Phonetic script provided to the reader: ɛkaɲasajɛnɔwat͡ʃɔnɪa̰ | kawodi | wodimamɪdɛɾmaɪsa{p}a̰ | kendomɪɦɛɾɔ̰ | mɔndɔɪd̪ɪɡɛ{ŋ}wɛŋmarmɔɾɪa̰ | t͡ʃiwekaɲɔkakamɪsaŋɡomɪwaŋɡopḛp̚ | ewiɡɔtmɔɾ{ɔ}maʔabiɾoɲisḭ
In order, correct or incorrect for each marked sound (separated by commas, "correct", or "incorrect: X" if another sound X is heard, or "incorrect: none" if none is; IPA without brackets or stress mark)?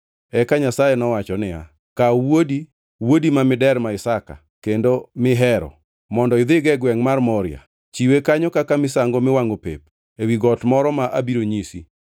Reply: incorrect: k, incorrect: ɡ, correct